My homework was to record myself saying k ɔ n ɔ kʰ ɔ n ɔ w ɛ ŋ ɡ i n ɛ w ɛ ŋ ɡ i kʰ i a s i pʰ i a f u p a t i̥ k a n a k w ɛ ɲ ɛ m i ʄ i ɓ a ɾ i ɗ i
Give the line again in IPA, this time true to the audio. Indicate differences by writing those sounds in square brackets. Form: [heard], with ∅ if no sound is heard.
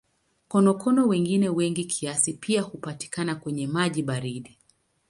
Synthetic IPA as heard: k ɔ n ɔ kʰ ɔ n ɔ w ɛ ŋ ɡ i n ɛ w ɛ ŋ ɡ i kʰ i a s i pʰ i a [h] u p a t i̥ k a n a k w ɛ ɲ ɛ m [a] ʄ i ɓ a ɾ i ɗ i

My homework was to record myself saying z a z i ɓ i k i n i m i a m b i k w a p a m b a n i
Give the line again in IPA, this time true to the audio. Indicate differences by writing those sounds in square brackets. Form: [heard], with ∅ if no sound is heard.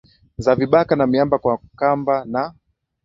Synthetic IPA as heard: z a [v] i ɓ [a] k [a] n [a] m i a m b [a] k w a [k] a m b a n [a]

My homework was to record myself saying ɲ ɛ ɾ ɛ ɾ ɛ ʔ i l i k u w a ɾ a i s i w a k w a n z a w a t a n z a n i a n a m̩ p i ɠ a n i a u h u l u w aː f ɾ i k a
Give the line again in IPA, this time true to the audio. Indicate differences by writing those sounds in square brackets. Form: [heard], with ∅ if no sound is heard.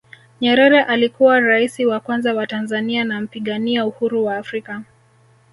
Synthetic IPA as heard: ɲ ɛ ɾ ɛ ɾ ɛ ʔ [a] l i k u w a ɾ a i s i w a k w a n z a w a t a n z a n i a n a m̩ p i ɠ a n i a u h u [ɾ] u w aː f ɾ i k a

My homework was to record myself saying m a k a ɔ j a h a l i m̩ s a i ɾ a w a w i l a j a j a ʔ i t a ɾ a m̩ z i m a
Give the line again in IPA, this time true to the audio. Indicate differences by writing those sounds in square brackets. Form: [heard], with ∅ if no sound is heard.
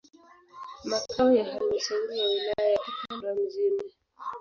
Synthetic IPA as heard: m a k a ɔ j a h a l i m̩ s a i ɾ [i] w a w i l a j a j a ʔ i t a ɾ a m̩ z i m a

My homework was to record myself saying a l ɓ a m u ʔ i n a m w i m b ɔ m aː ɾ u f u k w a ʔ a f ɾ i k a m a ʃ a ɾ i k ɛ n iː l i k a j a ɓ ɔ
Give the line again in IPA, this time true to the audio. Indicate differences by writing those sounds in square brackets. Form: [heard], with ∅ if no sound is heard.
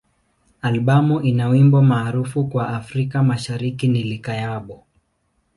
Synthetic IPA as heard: a l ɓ a m u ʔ i n a [∅] w i m b ɔ m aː ɾ u f u k w a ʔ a f ɾ i k a m a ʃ a ɾ i k [i] n [i] l i k a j a ɓ ɔ

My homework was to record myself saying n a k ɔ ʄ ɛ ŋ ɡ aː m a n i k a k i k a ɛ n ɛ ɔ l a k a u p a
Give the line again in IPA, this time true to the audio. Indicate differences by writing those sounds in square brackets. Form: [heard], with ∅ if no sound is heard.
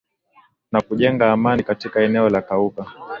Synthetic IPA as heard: n a k [u] ʄ ɛ ŋ ɡ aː m a n i k a [t] i k a ɛ n ɛ ɔ l a k a u [k] a

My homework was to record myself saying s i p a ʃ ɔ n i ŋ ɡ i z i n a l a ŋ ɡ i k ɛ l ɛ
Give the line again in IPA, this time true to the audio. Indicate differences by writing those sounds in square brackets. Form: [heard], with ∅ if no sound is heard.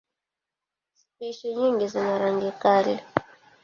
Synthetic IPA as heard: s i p [i] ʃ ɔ [ɲ] i ŋ ɡ i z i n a [ɾ] a ŋ ɡ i k [a] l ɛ

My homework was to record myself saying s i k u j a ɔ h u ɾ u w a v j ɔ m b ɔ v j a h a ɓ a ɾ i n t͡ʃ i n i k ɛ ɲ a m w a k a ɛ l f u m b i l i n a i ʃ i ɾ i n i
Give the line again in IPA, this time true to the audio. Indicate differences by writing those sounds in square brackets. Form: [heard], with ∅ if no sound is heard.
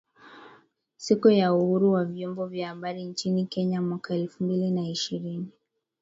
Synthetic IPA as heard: s i k u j a [u] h u ɾ u w a v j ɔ m b ɔ v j a h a ɓ a ɾ i n t͡ʃ i n i k ɛ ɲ a m w a k a ɛ l f u m b i l i n a i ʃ i ɾ i n i

